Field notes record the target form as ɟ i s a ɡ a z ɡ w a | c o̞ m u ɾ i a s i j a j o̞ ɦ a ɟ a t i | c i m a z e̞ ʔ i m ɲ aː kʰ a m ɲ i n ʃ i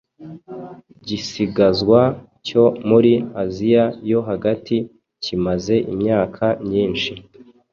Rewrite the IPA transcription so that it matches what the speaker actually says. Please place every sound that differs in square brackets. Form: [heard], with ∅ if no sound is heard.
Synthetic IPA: ɟ i s [i] ɡ a z ɡ w a | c o̞ m u ɾ i a [z] i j a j o̞ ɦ a [ɡ] a t i | c i m a z e̞ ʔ i m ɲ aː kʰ a m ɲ [iː] n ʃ i